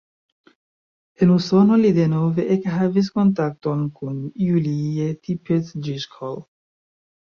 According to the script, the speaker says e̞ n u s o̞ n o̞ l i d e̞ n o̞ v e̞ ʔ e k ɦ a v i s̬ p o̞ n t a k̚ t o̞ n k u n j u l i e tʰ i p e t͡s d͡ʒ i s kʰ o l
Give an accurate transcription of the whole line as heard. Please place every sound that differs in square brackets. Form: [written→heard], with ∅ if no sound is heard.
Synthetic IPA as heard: e̞ n u s o̞ n o̞ l i d e̞ n o̞ v e̞ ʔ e k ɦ a v i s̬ [p→k] o̞ n t a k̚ t o̞ n k u n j u l i e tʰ i p e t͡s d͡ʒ i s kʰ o l